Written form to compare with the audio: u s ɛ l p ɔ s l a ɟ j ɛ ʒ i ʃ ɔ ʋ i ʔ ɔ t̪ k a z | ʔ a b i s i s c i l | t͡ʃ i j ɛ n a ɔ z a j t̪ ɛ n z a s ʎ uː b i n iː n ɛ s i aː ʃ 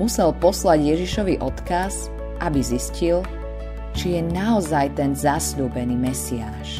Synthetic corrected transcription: u s ɛ l p ɔ s l a ɟ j ɛ ʒ i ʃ ɔ ʋ i ʔ ɔ t̪ k a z | ʔ a b i z i s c i l | t͡ʃ i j ɛ n a ɔ z a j t̪ ɛ n z a s ʎ uː b ɛ n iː m ɛ s i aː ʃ